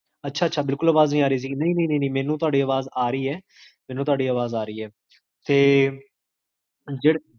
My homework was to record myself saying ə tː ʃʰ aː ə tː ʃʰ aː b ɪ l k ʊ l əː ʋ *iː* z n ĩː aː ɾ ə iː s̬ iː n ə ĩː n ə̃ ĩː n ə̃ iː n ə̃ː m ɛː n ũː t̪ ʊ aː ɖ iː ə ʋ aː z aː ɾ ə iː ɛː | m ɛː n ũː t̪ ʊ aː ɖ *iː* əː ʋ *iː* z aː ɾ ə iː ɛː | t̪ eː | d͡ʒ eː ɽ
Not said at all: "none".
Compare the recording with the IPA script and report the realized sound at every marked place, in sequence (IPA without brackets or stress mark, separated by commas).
aː, iː, aː